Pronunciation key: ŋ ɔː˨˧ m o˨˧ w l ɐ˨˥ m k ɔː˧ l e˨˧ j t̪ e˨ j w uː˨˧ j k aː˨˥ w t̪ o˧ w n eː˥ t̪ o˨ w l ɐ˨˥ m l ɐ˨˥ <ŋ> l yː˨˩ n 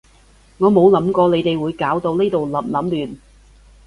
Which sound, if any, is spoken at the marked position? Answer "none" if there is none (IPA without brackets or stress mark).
m